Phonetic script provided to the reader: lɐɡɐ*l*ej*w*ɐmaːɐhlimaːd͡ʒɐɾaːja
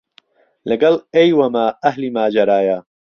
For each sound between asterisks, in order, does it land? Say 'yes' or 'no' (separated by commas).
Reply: yes, yes